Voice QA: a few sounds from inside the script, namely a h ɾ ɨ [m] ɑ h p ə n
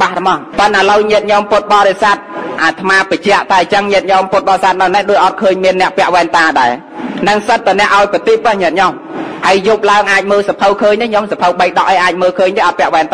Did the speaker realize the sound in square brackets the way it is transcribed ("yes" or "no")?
yes